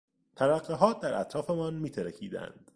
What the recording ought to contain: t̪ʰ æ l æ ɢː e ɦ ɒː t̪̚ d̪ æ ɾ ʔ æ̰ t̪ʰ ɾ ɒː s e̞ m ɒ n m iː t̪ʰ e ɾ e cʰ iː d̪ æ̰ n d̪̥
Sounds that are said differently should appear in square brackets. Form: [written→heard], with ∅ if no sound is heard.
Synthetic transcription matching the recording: t̪ʰ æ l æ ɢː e ɦ ɒː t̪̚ d̪ æ ɾ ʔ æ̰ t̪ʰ ɾ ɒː [s→f] e̞ m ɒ n m iː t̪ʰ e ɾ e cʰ iː d̪ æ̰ n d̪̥